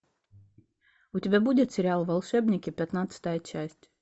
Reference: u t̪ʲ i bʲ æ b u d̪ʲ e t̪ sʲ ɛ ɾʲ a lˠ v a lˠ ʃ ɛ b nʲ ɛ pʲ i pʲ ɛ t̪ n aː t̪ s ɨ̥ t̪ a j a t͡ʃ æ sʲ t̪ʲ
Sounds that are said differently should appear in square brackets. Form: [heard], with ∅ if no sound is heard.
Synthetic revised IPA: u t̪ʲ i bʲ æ b u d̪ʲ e t̪ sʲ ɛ ɾʲ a lˠ v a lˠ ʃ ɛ b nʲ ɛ [kʲ] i pʲ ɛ t̪ n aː t̪ s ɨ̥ t̪ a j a t͡ʃ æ sʲ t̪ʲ